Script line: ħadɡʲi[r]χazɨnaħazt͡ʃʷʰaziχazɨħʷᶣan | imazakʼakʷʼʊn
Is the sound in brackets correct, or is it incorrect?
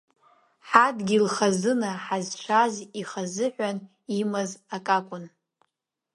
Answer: incorrect